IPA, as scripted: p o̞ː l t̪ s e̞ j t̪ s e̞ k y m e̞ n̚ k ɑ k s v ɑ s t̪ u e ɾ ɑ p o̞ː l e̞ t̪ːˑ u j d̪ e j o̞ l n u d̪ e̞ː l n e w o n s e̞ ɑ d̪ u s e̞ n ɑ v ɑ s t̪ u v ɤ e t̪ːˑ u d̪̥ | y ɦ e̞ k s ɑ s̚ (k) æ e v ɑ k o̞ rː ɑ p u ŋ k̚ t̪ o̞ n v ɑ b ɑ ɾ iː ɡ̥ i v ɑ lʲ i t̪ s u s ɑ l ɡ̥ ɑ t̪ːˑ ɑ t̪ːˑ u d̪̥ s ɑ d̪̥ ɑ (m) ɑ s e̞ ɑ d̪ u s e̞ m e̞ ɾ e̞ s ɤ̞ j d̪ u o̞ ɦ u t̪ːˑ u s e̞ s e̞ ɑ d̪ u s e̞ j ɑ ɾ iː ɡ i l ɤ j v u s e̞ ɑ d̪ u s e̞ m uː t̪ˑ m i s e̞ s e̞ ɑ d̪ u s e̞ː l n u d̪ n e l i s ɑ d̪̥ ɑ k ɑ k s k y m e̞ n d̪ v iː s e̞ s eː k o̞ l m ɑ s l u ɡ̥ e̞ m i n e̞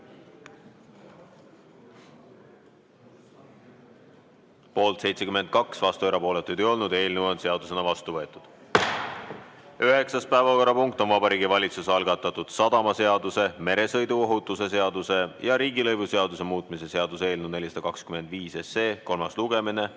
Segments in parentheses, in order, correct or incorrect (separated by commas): incorrect, correct